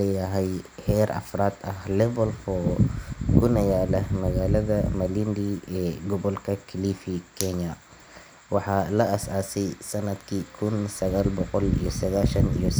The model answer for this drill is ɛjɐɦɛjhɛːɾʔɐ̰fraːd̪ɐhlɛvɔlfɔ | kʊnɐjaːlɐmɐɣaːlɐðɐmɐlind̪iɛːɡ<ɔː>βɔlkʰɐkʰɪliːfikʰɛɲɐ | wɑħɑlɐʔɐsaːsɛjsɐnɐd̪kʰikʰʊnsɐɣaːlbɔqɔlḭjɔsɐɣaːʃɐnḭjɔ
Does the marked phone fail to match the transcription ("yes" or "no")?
yes